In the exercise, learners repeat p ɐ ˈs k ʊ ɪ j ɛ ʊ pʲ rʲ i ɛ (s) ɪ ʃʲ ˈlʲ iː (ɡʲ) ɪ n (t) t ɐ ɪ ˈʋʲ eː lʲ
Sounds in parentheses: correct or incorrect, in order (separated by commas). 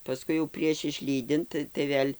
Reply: incorrect, incorrect, correct